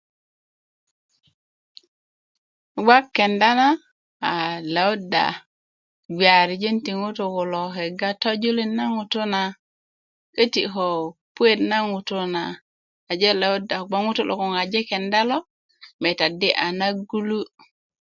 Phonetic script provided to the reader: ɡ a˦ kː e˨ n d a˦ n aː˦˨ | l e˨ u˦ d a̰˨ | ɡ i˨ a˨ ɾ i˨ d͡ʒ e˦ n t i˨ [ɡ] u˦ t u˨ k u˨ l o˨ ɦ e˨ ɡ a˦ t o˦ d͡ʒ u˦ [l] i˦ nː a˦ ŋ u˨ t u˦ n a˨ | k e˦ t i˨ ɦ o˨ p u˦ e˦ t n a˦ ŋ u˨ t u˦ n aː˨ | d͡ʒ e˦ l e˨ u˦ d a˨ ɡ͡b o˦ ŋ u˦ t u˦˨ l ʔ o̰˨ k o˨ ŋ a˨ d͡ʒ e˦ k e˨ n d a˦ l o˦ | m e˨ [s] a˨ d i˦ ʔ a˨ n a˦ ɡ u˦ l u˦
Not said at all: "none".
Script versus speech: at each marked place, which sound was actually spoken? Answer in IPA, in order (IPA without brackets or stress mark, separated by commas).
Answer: ŋ, l, t